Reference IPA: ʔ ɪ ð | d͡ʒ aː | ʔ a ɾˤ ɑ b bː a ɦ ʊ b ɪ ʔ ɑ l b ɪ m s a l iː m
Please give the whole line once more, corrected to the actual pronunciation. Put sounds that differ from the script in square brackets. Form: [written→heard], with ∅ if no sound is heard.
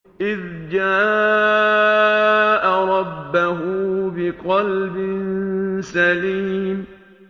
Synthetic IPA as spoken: ʔ ɪ ð | d͡ʒ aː | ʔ a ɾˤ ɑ b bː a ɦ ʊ b ɪ [ʔ→q] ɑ l b ɪ [m→n] s a l iː m